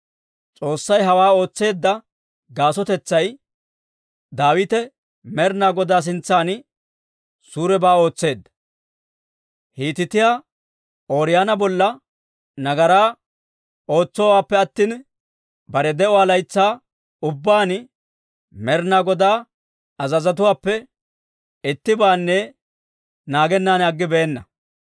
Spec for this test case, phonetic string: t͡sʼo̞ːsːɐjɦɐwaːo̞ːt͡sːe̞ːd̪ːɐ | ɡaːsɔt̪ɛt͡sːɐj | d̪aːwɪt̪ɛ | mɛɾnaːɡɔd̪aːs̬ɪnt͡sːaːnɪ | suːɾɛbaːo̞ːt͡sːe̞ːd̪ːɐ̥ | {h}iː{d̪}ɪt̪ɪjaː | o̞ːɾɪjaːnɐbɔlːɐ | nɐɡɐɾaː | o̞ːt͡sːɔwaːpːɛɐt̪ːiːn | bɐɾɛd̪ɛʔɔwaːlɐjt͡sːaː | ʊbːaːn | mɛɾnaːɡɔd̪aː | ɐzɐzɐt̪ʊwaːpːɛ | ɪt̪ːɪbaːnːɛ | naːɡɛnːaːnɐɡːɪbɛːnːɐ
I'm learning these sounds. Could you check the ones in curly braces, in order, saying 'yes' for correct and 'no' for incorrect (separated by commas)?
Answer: yes, no